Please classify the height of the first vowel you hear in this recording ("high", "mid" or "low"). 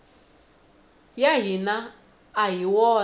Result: low